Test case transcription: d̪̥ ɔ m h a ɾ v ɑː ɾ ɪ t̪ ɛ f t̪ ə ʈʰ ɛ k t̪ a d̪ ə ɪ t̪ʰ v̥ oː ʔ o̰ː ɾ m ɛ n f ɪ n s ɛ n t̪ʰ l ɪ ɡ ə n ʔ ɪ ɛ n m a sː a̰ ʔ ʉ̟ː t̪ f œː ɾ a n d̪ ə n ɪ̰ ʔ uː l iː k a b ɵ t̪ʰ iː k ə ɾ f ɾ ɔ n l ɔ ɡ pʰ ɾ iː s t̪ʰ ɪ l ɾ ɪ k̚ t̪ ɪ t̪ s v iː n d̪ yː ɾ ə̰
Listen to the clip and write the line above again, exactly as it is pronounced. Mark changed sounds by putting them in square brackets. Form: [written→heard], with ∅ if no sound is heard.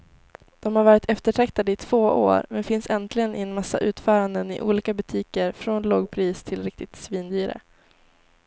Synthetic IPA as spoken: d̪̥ ɔ m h a ɾ v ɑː ɾ ɪ t̪ ɛ f t̪ ə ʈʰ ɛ k t̪ a d̪ ə ɪ t̪ʰ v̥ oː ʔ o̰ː ɾ m ɛ n f ɪ n s ɛ n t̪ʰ l ɪ ɡ ə n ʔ ɪ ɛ n m a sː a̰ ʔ ʉ̟ː t̪ f œː ɾ a n d̪ ə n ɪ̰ ʔ uː l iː k a b ɵ t̪ʰ iː k ə ɾ f ɾ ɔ n l ɔ ɡ pʰ ɾ iː s t̪ʰ ɪ l ɾ ɪ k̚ t̪ ɪ t̪ s v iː n d̪ yː ɾ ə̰